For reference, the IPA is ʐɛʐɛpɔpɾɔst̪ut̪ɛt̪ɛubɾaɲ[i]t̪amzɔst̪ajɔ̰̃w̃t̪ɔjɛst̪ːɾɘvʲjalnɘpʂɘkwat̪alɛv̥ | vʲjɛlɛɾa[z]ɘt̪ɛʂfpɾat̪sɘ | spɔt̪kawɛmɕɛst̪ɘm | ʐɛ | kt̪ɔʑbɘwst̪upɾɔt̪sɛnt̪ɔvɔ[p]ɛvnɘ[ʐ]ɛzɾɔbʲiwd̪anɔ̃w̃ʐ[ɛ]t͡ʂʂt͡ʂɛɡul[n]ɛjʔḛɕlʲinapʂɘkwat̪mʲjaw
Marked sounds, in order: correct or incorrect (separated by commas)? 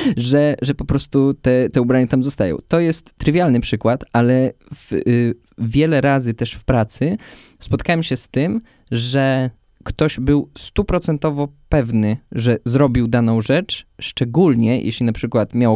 incorrect, correct, correct, correct, correct, incorrect